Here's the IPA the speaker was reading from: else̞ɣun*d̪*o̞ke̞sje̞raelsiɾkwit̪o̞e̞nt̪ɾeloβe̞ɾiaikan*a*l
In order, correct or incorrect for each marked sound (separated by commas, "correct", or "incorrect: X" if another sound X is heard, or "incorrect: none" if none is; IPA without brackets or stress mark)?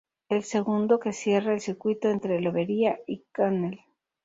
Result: correct, incorrect: e